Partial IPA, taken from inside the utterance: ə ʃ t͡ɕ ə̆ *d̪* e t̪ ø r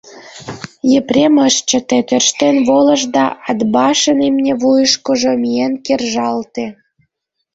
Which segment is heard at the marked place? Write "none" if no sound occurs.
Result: t̪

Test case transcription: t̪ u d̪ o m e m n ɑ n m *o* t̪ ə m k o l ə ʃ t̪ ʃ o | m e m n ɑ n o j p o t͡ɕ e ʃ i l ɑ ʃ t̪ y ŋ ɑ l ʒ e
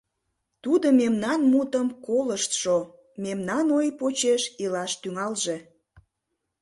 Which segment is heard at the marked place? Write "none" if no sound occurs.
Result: u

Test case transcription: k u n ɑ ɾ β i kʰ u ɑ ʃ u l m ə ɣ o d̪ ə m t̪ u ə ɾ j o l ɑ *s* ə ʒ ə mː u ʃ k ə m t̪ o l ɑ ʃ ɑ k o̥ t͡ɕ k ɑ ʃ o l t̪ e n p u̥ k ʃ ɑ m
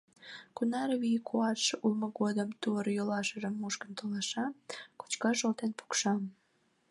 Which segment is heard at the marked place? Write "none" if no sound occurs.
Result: ʃ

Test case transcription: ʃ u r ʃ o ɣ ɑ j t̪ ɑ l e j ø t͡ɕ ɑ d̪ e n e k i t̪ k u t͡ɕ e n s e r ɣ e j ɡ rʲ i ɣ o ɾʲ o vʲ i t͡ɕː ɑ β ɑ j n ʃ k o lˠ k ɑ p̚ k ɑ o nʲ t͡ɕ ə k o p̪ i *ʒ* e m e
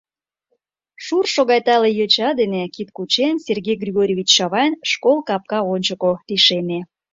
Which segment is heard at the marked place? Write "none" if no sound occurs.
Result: ʃ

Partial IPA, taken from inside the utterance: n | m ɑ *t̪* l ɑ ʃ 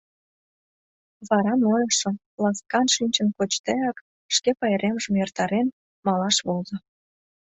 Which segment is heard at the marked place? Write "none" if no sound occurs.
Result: none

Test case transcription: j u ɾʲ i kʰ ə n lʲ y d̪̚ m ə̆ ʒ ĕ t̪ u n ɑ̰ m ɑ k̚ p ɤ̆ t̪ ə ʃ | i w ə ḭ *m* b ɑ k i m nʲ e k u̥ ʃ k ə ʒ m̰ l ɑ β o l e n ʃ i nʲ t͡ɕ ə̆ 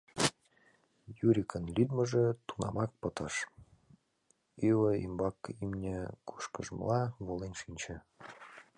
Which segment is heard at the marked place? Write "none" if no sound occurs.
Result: m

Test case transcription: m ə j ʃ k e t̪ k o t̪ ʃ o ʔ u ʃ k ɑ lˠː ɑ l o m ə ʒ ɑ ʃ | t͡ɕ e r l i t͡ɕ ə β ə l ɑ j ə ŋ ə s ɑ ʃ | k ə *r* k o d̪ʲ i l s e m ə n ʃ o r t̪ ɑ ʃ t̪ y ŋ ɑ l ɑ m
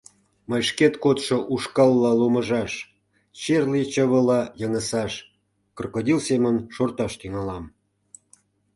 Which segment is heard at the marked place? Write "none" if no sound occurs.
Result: r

